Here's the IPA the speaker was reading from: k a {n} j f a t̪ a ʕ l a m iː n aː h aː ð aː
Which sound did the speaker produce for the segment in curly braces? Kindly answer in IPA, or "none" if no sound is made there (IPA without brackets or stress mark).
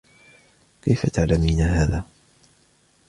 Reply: none